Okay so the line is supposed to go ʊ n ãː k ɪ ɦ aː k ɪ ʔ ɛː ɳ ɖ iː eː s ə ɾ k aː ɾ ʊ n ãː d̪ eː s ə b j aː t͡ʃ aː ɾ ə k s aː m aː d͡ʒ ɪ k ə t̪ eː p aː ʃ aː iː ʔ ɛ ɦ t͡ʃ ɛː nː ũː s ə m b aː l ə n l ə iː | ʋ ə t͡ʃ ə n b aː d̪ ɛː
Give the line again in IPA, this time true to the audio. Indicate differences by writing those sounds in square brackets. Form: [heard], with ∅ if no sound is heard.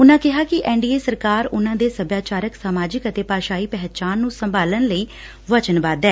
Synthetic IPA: ʊ n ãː k ɪ ɦ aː k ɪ ʔ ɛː ɳ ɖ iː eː s ə ɾ k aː ɾ ʊ n ãː d̪ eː s ə b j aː t͡ʃ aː ɾ ə k s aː m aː d͡ʒ ɪ k ə t̪ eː p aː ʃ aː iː [p] ɛ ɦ t͡ʃ [aː] nː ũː s ə m b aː l ə n l ə iː | ʋ ə t͡ʃ ə n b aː d̪ ɛː